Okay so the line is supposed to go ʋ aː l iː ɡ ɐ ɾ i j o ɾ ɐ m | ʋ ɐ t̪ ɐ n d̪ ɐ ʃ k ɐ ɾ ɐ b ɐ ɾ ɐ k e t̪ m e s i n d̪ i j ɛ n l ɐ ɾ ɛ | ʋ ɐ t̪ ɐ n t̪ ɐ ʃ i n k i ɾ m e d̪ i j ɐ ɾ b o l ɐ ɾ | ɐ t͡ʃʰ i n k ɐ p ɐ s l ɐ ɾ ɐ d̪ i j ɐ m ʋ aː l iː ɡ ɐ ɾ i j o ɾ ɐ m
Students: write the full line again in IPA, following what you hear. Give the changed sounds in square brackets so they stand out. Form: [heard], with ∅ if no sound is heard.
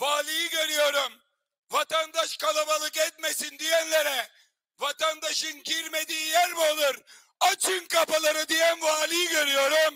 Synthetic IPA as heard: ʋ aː l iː ɡ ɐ ɾ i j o ɾ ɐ m | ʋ ɐ t̪ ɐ n d̪ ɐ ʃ k ɐ [l] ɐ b ɐ [l] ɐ k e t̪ m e s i n d̪ i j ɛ n l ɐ ɾ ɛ | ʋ ɐ t̪ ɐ n [d̪] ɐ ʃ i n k i ɾ m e d̪ i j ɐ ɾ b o l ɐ ɾ | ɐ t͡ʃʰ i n k ɐ p ɐ [∅] l ɐ ɾ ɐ d̪ i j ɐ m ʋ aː l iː ɡ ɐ ɾ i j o ɾ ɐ m